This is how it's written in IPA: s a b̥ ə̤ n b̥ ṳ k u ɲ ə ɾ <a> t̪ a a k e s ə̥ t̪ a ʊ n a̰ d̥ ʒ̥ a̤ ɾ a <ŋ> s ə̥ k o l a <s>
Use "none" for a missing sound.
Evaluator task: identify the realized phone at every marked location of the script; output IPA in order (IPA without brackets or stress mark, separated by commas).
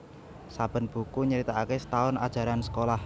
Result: i, n, h